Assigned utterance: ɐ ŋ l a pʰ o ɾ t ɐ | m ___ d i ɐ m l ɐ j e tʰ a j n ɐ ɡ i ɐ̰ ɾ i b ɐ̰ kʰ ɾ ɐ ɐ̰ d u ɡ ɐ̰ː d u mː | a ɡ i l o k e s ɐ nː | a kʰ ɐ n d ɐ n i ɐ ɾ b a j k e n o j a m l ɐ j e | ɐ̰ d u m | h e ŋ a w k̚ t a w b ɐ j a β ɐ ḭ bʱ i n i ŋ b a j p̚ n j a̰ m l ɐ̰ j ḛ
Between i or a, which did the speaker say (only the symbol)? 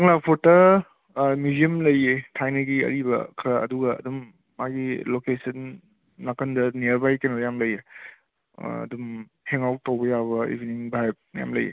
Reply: i